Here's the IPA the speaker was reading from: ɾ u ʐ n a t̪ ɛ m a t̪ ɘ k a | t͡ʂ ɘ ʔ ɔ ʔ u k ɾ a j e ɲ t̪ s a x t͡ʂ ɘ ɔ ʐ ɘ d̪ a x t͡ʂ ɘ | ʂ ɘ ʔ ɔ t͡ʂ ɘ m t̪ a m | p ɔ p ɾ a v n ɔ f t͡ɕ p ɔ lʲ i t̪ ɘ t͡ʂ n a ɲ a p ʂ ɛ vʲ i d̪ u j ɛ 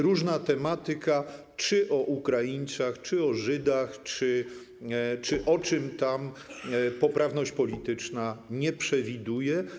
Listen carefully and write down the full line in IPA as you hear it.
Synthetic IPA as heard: ɾ u ʐ n a t̪ ɛ m a t̪ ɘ k a | t͡ʂ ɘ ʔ ɔ ʔ u k ɾ a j i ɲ t̪ s a x t͡ʂ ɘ ɔ ʐ ɘ d̪ a x t͡ʂ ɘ | t͡ʂ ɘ ʔ ɔ t͡ʂ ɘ m t̪ a m | p ɔ p ɾ a v n ɔ ɕ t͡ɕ p ɔ lʲ i t̪ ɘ t͡ʂ n a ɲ ɛ p ʂ ɛ vʲ i d̪ u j ɛ